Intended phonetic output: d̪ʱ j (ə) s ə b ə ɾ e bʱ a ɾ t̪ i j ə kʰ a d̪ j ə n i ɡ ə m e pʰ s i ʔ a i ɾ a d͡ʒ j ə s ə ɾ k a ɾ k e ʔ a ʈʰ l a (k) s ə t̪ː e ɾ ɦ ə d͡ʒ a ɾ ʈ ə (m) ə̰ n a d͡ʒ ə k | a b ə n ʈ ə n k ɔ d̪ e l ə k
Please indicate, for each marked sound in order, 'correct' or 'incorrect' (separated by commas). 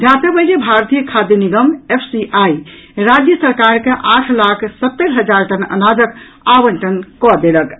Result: incorrect, incorrect, incorrect